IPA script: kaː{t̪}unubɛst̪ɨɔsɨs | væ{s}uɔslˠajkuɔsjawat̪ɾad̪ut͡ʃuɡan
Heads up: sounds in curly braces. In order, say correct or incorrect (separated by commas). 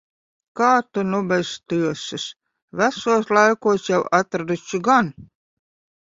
correct, correct